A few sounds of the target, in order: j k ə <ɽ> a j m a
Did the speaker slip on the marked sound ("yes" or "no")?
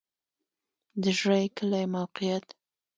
yes